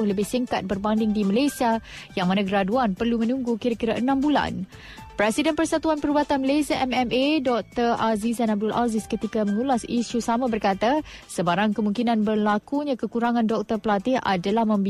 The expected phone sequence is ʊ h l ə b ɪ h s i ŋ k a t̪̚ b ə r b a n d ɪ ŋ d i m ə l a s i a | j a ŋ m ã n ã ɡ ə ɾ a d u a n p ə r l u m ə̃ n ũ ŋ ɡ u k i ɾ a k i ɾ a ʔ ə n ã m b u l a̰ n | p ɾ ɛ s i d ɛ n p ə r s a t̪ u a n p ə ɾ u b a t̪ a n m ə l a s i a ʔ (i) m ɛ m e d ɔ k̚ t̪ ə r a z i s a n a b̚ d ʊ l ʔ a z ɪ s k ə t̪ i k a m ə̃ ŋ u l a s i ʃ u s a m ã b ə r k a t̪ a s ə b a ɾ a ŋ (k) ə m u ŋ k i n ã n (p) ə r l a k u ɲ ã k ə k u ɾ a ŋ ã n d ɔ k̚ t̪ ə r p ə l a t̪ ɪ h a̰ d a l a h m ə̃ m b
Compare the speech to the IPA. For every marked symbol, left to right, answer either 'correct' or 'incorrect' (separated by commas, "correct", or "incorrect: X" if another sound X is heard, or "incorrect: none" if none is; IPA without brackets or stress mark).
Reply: incorrect: ɛ, correct, incorrect: b